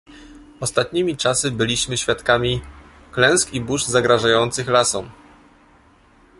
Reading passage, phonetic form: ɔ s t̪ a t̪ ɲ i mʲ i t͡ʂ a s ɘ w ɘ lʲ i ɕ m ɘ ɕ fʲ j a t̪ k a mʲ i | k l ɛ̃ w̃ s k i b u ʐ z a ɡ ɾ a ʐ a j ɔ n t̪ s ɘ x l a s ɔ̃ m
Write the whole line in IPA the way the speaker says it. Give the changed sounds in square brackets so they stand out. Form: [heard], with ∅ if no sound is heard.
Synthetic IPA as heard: ɔ s t̪ a t̪ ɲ i mʲ i t͡ʂ a s ɘ [b] ɘ lʲ i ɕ m ɘ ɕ fʲ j a t̪ k a mʲ i | k l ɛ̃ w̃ s k i b u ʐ z a ɡ ɾ a ʐ a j ɔ n t̪ s ɘ x l a s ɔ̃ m